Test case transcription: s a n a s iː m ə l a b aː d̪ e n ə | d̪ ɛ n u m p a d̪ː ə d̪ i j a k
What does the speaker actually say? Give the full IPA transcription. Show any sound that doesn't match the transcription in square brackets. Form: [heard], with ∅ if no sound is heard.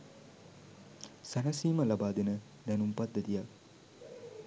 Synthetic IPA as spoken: s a n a s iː m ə l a b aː d̪ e n ə | d̪ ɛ n u m p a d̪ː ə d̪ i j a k